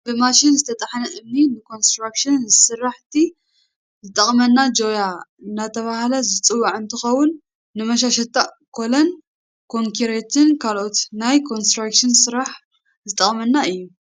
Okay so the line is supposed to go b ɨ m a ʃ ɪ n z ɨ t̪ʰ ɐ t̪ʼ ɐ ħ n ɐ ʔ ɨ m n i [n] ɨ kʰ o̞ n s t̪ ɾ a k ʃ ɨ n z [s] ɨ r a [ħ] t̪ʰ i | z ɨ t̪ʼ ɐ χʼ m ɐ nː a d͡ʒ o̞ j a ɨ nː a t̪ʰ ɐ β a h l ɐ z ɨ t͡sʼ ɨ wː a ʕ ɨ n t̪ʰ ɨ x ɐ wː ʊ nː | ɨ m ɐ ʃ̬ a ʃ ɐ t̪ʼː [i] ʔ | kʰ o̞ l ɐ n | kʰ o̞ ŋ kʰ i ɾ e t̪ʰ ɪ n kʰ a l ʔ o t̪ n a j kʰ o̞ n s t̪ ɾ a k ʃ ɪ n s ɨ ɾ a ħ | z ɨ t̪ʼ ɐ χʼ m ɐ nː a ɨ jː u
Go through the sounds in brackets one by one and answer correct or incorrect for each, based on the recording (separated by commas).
correct, correct, correct, incorrect